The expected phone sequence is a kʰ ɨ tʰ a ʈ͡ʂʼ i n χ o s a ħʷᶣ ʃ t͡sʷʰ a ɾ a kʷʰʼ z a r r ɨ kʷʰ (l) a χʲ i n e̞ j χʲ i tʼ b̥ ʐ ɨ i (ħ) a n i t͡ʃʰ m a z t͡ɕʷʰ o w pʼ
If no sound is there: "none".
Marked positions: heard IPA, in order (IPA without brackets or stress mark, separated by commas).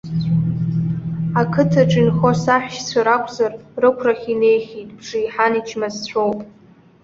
r, ħ